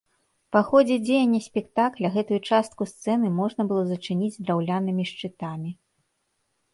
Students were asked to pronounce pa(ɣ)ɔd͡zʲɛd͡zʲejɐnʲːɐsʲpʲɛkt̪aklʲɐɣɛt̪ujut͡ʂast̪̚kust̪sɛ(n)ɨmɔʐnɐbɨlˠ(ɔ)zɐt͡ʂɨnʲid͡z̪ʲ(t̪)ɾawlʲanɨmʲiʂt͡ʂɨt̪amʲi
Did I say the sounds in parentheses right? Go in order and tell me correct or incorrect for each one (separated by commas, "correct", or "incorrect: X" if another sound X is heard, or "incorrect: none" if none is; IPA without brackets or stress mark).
incorrect: x, correct, correct, incorrect: d̪